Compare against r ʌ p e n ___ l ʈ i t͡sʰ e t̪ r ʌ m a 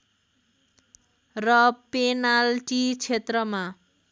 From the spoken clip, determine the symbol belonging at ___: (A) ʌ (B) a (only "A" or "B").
B